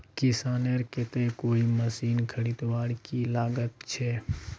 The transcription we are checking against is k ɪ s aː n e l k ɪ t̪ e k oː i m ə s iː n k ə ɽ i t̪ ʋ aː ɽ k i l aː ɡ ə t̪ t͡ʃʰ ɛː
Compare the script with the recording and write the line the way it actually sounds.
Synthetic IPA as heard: k ɪ s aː n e ɾ k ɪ t̪ e k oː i m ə s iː n kʰ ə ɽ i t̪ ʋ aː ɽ k i l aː ɡ ə t̪ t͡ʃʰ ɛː